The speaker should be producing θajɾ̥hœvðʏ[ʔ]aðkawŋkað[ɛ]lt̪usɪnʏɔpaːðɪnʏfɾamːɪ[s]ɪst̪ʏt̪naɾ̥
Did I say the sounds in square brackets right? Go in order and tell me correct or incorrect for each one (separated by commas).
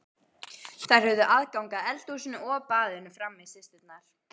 correct, correct, correct